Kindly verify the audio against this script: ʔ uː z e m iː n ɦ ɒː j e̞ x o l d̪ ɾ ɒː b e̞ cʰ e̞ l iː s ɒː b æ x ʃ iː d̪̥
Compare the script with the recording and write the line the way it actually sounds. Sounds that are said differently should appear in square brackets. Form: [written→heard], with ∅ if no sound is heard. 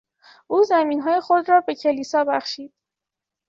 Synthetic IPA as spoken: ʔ uː z [e→æ] m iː n ɦ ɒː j e̞ x o [l→∅] d̪ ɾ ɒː b e̞ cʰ e̞ l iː s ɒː b æ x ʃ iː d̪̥